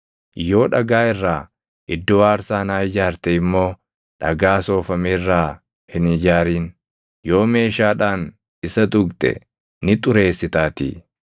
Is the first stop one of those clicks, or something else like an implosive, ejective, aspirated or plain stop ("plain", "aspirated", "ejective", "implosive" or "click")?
plain